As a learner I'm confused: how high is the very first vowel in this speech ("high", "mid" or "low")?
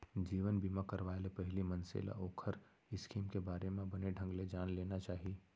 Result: high